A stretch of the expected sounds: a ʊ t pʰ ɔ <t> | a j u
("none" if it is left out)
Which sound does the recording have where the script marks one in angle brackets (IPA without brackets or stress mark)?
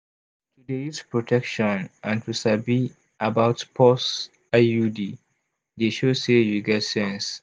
s